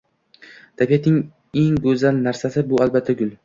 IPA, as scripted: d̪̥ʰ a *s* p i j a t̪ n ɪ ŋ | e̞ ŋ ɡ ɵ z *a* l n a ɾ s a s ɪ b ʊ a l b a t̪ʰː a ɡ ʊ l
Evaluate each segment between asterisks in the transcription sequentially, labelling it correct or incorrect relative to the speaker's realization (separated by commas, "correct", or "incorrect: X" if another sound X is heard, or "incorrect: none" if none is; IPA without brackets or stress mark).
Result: incorrect: none, correct